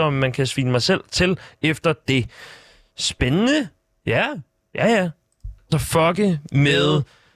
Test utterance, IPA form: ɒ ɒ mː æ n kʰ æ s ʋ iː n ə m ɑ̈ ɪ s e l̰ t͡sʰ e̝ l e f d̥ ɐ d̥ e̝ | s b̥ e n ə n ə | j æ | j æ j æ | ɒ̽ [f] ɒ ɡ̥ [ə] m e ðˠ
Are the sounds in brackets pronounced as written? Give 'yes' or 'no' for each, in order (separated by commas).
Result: yes, yes